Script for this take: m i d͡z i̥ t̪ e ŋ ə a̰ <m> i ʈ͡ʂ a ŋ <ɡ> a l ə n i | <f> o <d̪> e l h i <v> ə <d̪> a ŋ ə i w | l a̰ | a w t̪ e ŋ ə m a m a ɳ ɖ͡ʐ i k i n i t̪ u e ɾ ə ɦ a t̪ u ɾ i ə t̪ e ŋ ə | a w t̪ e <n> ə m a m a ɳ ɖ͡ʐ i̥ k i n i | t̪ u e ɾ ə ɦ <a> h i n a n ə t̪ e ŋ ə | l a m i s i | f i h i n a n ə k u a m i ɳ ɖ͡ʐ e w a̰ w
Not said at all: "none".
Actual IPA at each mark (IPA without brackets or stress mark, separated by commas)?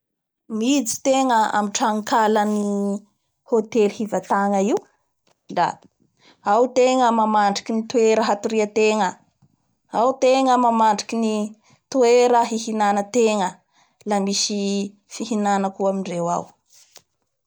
m, k, h, t̪, v, t̪, ŋ, i